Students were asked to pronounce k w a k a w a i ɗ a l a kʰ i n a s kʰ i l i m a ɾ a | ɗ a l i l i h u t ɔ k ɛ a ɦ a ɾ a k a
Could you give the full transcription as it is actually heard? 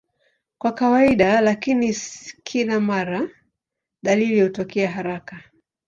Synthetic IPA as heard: k w a k a w a i ɗ a l a k i n i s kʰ i l a m a ɾ a | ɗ a l i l i h u t ɔ k ɛ a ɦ a ɾ a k a